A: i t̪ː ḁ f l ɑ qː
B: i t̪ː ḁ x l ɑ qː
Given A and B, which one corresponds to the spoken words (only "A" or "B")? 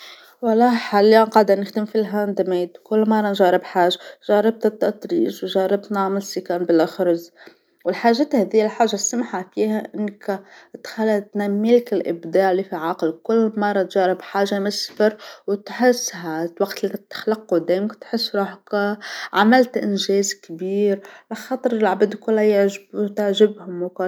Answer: B